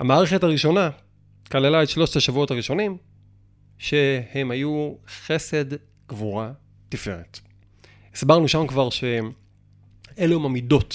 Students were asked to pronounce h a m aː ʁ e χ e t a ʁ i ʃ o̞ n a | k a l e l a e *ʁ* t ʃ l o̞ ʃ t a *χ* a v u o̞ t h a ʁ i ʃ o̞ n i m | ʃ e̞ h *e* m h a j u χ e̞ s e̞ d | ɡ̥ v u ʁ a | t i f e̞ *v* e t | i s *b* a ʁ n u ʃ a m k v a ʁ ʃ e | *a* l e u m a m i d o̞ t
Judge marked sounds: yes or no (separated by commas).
no, no, yes, no, yes, no